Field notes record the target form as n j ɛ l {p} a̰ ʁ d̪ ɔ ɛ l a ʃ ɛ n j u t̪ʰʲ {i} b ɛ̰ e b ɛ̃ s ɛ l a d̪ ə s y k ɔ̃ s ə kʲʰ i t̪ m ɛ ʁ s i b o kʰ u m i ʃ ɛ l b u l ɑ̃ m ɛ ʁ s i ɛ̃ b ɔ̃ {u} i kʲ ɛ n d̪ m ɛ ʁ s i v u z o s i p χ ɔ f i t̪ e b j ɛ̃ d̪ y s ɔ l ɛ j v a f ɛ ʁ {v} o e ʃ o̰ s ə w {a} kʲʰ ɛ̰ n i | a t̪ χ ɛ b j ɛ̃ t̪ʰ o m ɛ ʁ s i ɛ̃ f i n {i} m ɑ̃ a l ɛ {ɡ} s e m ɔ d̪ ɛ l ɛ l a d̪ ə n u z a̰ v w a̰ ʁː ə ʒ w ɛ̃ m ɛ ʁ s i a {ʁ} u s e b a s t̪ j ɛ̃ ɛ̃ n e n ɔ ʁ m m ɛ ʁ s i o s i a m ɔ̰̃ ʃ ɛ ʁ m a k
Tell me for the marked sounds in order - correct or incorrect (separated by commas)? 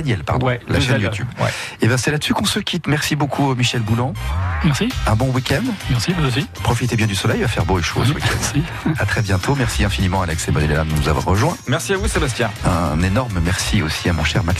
correct, incorrect, incorrect, incorrect, incorrect, correct, incorrect, incorrect